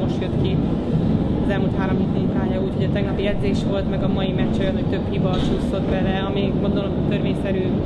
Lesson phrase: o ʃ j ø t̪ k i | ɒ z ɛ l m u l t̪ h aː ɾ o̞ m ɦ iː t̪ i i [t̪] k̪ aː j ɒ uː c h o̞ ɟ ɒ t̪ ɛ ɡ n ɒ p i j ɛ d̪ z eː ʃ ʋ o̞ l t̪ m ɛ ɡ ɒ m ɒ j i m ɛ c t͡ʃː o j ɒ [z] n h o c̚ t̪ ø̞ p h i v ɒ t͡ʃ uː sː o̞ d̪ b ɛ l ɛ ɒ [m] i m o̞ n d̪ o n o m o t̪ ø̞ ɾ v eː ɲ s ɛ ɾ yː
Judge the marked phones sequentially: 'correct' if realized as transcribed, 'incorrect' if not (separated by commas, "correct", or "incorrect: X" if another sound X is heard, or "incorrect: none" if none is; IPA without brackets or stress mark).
incorrect: none, incorrect: none, correct